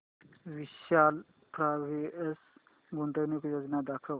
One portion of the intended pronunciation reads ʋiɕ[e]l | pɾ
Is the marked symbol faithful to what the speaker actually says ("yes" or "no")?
no